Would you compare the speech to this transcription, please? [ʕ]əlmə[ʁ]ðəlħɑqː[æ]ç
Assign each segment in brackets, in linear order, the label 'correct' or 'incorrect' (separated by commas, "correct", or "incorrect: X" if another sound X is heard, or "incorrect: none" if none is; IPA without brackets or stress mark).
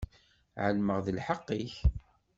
correct, correct, incorrect: i